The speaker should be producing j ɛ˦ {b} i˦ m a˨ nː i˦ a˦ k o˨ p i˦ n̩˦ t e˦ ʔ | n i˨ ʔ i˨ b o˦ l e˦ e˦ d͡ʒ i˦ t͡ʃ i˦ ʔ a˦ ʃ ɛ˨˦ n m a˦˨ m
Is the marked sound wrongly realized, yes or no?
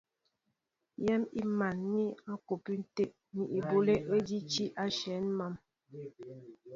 yes